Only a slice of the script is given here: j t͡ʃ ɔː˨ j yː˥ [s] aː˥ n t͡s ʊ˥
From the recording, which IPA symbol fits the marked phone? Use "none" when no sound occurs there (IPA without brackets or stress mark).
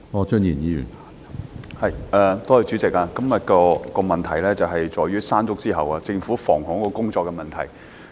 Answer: s